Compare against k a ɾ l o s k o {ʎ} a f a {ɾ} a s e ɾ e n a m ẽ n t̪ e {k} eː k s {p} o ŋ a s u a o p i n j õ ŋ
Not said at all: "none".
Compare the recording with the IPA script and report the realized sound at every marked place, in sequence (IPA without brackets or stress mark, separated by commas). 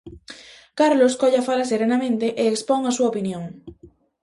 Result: ʎ, l, ʔ, p